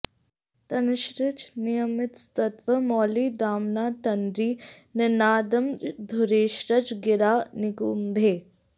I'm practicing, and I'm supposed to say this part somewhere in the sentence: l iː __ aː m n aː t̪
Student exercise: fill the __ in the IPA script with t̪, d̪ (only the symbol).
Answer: d̪